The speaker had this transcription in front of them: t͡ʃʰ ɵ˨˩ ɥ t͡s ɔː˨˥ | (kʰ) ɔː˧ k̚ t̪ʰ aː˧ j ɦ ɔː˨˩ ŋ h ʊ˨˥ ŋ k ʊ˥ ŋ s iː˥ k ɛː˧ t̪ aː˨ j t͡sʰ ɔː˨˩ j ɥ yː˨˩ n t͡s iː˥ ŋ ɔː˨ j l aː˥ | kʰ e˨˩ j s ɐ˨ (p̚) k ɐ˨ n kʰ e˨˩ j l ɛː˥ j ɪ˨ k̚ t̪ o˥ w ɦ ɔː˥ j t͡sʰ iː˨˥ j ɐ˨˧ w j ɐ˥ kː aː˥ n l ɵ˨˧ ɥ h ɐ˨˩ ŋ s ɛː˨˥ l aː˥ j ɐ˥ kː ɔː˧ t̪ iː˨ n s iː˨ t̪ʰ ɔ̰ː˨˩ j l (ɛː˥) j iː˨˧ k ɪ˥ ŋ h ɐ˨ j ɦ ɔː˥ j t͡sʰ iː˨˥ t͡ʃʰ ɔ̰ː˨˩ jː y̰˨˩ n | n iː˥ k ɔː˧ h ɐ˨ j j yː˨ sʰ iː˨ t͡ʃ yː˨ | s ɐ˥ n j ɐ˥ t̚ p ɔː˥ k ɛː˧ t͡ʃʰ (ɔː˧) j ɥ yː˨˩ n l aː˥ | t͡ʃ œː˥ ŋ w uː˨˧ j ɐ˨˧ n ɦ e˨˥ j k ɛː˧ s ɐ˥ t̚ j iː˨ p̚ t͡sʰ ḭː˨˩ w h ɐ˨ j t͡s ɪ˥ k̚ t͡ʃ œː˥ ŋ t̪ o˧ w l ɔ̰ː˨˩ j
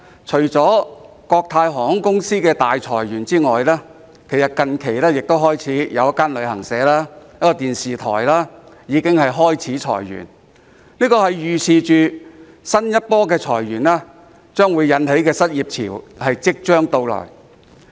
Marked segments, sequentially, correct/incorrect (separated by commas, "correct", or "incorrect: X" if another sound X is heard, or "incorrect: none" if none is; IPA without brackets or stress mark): incorrect: k, incorrect: t̚, incorrect: aː˥, incorrect: ɔː˨˩